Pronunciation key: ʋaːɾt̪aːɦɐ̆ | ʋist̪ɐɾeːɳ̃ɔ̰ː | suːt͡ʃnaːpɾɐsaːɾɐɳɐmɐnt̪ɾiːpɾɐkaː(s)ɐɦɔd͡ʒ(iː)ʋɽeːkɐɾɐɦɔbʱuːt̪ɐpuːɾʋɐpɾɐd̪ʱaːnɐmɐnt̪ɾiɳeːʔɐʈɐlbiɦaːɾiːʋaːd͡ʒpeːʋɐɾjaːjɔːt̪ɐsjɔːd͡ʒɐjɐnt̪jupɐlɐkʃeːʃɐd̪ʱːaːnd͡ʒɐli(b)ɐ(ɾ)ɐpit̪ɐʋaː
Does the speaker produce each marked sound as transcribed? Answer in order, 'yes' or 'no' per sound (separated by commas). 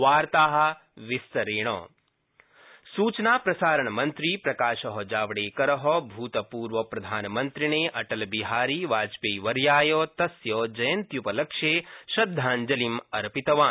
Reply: no, no, no, yes